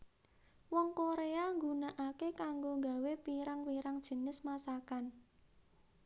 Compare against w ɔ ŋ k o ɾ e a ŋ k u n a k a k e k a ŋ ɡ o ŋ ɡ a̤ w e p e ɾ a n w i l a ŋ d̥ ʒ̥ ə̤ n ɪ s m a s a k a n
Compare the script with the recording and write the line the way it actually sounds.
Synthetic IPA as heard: w ɔ ŋ k o ɾ e a ŋ ɡ u n a ʔ a k e k a ŋ ɡ o ŋ ɡ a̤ w e p i ɾ a ŋ w i ɾ a ŋ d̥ ʒ̥ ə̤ n ɪ s m a s a k a n